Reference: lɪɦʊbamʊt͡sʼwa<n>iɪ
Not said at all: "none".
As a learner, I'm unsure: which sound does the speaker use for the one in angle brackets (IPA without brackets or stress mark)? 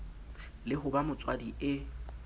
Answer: d